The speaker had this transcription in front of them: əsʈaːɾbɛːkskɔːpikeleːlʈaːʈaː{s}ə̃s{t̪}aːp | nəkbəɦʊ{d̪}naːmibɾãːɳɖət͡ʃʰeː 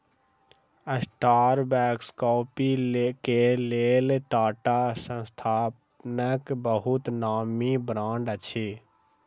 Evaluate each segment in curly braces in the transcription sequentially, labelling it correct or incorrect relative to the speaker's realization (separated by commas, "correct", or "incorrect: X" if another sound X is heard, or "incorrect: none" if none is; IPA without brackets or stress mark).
correct, incorrect: t̪ʰ, incorrect: t̪